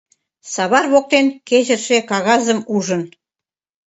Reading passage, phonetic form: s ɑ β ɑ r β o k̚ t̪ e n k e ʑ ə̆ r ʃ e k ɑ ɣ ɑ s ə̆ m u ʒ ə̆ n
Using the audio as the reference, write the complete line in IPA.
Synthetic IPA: s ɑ β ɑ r β o k̚ t̪ e n k e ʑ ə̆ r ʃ e k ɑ ɣ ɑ z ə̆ m u ʒ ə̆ n